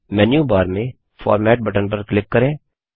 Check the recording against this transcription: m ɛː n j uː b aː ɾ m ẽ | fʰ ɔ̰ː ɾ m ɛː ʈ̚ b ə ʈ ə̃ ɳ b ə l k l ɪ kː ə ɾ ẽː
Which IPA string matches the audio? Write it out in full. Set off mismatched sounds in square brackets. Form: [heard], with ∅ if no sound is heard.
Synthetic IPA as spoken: m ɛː n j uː b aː ɾ m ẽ | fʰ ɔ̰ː ɾ m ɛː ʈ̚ b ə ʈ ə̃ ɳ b ə [ɾ] k l ɪ kː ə ɾ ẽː